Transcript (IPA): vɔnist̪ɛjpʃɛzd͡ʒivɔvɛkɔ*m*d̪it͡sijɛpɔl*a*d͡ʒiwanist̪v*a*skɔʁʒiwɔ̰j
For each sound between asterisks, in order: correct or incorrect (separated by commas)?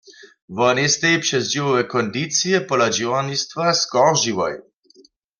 incorrect, correct, correct